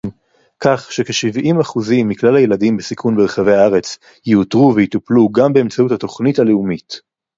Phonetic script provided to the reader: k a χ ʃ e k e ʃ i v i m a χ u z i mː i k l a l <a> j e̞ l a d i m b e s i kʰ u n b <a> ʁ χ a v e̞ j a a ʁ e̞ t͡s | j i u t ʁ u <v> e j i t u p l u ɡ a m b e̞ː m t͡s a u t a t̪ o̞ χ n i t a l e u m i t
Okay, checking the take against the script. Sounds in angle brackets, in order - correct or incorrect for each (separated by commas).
correct, incorrect, correct